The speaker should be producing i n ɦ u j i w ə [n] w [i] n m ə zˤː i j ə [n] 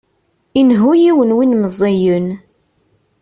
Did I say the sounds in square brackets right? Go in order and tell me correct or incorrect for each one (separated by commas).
correct, correct, correct